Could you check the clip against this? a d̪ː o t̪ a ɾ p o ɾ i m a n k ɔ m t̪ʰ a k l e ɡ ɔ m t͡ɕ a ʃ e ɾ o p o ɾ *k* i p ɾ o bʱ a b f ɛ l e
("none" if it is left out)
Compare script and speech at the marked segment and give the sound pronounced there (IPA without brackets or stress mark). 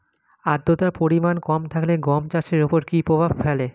k